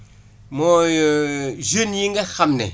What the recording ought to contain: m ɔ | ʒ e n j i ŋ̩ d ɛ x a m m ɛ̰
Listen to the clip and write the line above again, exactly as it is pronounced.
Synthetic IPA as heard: m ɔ | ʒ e n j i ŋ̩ ɡ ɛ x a m n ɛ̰